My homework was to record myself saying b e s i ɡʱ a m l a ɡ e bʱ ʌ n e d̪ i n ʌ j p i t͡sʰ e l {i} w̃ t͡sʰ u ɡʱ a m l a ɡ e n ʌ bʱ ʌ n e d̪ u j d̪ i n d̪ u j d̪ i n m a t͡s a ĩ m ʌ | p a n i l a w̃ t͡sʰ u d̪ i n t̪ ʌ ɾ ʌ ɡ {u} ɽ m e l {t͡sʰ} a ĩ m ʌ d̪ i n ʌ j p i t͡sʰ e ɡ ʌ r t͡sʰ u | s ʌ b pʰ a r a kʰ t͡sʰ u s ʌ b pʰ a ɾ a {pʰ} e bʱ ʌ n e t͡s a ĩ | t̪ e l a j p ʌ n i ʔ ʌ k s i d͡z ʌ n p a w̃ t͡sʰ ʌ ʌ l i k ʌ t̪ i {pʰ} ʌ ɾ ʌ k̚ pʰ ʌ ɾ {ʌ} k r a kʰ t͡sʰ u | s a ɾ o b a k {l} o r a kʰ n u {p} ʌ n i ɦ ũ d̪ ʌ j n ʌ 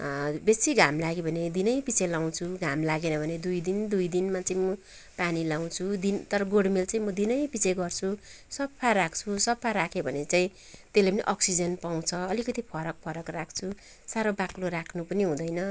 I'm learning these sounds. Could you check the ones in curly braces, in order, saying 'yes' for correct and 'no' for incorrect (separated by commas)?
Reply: no, no, no, no, yes, yes, yes, yes